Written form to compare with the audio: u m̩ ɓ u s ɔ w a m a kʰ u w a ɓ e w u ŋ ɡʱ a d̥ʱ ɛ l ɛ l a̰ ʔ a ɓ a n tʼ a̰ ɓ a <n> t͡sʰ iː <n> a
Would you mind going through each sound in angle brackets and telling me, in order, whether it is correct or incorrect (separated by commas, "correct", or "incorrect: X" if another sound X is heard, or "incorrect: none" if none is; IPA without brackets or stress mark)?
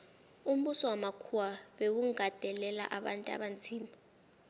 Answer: correct, incorrect: m